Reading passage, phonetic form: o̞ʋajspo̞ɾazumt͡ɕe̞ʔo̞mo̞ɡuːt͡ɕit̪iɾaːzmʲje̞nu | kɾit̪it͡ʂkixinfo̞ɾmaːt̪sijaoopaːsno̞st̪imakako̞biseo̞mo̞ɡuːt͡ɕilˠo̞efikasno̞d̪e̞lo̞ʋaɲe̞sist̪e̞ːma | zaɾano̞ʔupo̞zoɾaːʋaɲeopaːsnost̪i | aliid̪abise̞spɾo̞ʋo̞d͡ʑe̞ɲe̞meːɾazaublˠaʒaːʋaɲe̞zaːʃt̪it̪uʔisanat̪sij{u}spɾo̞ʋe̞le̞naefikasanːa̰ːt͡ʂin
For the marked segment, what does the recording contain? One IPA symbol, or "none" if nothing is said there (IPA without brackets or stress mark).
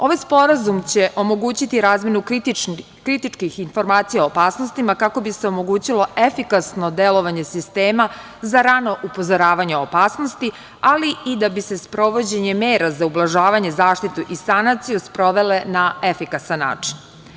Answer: u